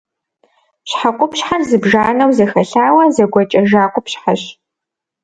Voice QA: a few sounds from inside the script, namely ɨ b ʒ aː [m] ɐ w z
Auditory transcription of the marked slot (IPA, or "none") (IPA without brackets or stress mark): n